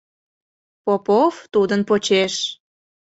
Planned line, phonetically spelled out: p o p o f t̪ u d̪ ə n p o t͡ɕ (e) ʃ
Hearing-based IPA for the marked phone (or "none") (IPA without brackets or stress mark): e